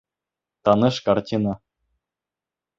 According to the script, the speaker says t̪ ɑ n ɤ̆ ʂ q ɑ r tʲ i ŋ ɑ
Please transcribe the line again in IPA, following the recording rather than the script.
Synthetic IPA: t̪ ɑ n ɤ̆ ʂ k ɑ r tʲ i n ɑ